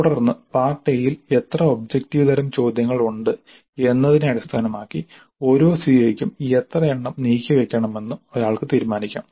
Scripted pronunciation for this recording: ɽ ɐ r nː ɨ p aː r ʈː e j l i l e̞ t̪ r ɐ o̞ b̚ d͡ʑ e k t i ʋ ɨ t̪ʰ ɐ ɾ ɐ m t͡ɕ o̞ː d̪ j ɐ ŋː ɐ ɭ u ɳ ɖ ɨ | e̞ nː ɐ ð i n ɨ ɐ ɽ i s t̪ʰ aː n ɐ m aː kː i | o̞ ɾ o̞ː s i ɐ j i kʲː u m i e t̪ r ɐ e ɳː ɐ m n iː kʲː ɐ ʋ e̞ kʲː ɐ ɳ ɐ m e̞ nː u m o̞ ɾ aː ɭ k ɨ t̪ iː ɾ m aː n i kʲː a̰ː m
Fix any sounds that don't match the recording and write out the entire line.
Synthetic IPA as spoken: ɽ ɐ r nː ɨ p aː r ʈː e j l i l e̞ t̪ r ɐ o̞ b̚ d͡ʑ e k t i ʋ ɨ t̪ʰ ɐ ɾ ɐ m t͡ɕ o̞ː d̪ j ɐ ŋː ɐ ɭ u ɳ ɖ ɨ | e̞ nː ɐ ð i n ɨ ɐ ɽ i s t̪ʰ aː n ɐ m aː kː i | o̞ ɾ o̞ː s i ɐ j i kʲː u m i e t̪ r ɐ e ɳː ɐ m n iː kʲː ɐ ʋ e̞ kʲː ɐ ɳ ɐ m e̞ nː u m o̞ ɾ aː ɭ k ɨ t̪ iː ɾ m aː n i kʲː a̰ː m

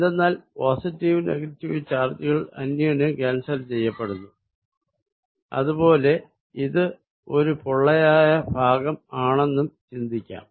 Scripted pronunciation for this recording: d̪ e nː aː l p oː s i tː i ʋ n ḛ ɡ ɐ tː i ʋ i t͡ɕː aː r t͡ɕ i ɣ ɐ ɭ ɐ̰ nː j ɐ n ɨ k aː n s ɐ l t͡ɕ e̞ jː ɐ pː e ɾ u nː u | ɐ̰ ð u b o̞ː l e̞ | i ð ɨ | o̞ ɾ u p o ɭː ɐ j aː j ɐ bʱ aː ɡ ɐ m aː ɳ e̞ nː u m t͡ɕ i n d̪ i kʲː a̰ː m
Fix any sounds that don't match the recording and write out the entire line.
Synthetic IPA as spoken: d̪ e nː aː l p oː s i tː i ʋ n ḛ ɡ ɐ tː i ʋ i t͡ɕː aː r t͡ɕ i ɣ ɐ ɭ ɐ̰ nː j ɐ n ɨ k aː n s ɐ l t͡ɕ e̞ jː ɐ pː e ɽ u nː u | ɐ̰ ð u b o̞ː l e̞ | i ð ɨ | o̞ ɾ u p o ɭː ɐ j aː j ɐ bʱ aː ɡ ɐ m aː ɳ e̞ nː u m t͡ɕ i n d̪ i kʲː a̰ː m

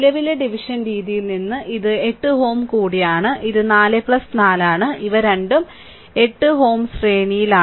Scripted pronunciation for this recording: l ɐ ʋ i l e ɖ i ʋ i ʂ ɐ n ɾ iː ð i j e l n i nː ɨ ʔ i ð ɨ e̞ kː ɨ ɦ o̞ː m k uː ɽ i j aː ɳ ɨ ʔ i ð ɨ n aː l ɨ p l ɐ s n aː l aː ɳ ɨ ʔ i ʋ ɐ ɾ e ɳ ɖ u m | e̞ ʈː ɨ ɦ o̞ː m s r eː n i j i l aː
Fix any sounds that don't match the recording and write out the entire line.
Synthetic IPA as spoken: l ɐ ʋ i l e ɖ i ʋ i ʂ ɐ n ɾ iː ð i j i l n i nː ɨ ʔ i ð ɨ e̞ ʈː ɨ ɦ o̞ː m k uː ɽ i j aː ɳ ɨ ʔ i ð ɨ n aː l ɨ p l ɐ s n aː l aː ɳ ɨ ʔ i ʋ ɐ ɾ e ɳ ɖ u m | e̞ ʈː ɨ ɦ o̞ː m s r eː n i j i l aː

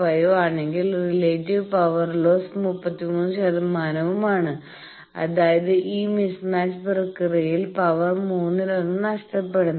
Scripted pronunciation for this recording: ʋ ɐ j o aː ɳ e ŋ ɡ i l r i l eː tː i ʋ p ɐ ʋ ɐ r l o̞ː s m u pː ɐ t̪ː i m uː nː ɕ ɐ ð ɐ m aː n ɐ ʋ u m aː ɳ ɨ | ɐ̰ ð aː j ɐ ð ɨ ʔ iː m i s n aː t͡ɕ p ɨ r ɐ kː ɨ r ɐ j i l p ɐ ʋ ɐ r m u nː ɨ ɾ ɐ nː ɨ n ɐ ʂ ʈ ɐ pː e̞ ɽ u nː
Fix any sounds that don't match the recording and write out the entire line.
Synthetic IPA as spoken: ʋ ɐ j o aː ɳ e ŋ ɡ i l r i l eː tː i ʋ p ɐ ʋ ɐ r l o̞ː s m u pː ɐ t̪ː i m uː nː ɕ ɐ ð ɐ m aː n ɐ ʋ u m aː ɳ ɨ | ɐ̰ ð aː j ɐ ð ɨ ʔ iː m i s n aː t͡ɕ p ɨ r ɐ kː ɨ r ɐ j i l p ɐ ʋ ɐ r m uː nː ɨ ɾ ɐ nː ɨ n ɐ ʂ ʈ ɐ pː e̞ ɽ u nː

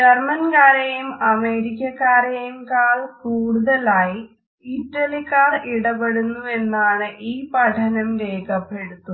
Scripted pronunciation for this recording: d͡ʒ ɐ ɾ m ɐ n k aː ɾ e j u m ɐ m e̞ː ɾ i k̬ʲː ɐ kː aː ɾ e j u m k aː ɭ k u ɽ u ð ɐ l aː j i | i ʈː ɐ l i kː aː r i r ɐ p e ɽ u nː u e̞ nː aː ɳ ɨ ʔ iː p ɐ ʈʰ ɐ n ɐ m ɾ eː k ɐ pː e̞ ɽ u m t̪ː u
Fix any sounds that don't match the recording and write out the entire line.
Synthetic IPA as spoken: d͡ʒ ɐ r m ɐ n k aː ɾ e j u m ɐ m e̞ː ɾ i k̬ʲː ɐ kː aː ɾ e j u m k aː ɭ k uː ɽ u ð ɐ l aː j i | i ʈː ɐ l i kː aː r i ɽ ɐ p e ɽ u nː u e̞ nː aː ɳ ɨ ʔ iː p ɐ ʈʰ ɐ n ɐ m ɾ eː k ɐ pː e̞ ɽ u t̪ː u

